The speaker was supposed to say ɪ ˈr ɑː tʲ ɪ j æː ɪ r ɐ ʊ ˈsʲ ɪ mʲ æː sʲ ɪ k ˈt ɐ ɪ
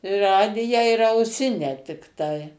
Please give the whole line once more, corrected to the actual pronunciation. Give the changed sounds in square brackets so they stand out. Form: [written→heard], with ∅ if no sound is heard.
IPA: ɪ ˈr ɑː [tʲ→dʲ] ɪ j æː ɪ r ɐ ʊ ˈsʲ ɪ [mʲ→nʲ] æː [sʲ→tʲ] ɪ k ˈt ɐ ɪ